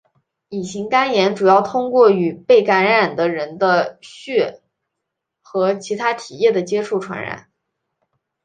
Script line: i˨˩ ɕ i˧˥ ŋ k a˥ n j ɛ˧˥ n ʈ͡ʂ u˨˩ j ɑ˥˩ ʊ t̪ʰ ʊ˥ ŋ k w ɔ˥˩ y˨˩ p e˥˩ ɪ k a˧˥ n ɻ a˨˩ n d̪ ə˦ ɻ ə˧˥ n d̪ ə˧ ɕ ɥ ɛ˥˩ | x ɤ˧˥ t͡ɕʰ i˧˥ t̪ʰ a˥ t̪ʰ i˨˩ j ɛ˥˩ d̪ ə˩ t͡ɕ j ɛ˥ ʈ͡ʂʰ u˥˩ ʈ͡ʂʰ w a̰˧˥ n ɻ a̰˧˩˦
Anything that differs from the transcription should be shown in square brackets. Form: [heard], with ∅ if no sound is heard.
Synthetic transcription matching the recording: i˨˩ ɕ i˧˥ ŋ k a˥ n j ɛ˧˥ n ʈ͡ʂ u˨˩ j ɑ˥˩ ʊ t̪ʰ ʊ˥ ŋ k w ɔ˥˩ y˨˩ p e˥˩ ɪ k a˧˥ n ɻ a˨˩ n d̪ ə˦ ɻ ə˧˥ n d̪ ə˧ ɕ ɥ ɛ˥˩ | x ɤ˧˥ t͡ɕʰ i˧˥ t̪ʰ a˥ t̪ʰ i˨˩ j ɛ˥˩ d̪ ə˩ t͡ɕ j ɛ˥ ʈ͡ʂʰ u˥˩ ʈ͡ʂʰ w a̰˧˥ n ɻ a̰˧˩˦

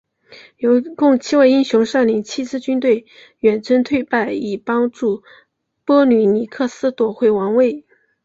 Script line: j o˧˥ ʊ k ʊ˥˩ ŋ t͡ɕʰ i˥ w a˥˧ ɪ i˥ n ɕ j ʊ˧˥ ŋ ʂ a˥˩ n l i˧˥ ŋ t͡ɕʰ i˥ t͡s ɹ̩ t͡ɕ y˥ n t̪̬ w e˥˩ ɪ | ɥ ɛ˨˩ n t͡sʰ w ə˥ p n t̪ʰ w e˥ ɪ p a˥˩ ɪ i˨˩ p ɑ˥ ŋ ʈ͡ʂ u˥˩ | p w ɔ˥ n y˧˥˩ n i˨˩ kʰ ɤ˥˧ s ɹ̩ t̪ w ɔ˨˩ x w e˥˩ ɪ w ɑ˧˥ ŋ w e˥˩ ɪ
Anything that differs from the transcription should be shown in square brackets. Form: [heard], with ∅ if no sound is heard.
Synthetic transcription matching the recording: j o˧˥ ʊ k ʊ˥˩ ŋ t͡ɕʰ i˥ w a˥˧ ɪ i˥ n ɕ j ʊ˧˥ ŋ ʂ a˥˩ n l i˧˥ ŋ t͡ɕʰ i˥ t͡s ɹ̩ t͡ɕ y˥ n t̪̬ w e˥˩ ɪ | ɥ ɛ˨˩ n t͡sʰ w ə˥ [∅] n t̪ʰ w [e˥˧] ɪ p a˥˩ ɪ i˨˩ p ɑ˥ ŋ ʈ͡ʂ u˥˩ | p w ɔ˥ n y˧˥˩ n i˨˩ kʰ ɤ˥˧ s ɹ̩ t̪ w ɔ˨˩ x w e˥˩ ɪ w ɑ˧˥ ŋ w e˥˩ ɪ

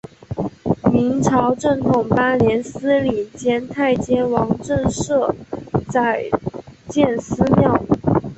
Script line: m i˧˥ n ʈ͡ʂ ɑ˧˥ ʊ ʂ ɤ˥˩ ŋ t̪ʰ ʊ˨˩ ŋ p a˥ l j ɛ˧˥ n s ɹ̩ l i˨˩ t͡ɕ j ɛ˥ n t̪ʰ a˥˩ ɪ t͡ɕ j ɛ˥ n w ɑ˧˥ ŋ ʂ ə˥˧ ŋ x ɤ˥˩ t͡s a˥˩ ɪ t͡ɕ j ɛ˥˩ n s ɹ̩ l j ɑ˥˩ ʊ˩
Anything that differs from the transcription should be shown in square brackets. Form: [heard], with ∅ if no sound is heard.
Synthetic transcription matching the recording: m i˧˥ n [ʈ͡ʂʰ] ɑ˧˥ ʊ [ʈ͡ʂ] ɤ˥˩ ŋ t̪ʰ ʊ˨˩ ŋ p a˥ l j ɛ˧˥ n s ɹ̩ l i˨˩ t͡ɕ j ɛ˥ n t̪ʰ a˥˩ ɪ t͡ɕ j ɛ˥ n w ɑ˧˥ ŋ [ʈ͡ʂ] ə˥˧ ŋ [ʂ] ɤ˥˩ t͡s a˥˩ ɪ t͡ɕ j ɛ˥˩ n s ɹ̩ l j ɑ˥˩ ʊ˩

